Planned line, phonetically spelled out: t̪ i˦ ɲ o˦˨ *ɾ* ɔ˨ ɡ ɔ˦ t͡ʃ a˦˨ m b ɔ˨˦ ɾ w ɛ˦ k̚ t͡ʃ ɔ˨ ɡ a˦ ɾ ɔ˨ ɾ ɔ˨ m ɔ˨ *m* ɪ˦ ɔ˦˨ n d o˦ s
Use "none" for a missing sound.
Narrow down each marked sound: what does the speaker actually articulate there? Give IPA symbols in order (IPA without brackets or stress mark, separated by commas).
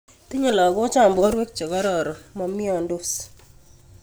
l, m